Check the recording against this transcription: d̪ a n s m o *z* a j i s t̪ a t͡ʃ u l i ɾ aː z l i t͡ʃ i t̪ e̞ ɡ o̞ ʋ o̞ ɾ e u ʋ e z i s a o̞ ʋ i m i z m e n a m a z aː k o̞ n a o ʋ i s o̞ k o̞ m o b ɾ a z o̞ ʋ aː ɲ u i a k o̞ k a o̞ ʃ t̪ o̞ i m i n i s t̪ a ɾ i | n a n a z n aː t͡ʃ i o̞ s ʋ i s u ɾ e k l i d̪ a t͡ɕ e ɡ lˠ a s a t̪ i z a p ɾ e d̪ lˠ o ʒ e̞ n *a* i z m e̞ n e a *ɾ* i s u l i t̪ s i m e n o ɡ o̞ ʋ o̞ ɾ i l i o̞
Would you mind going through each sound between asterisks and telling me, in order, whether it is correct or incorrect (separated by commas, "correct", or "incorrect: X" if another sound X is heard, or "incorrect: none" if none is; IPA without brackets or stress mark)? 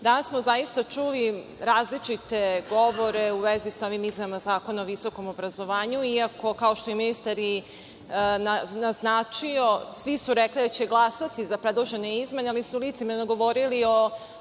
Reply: correct, incorrect: e, incorrect: l